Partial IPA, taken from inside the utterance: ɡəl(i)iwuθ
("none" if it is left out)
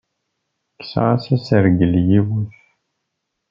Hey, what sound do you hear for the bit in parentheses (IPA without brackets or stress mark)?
j